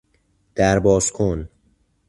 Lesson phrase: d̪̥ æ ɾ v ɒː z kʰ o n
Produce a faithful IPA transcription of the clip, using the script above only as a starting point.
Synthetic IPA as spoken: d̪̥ æ ɾ b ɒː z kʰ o n